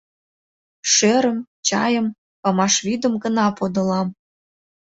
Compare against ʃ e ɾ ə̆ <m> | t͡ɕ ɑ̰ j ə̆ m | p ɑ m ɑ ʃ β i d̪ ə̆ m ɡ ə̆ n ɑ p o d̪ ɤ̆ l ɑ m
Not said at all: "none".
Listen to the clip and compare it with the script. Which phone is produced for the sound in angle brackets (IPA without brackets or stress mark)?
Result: m